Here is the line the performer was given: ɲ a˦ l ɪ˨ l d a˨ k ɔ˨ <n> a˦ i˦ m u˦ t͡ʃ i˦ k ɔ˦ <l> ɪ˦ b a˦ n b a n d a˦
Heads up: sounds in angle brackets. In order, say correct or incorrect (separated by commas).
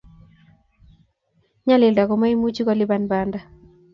incorrect, correct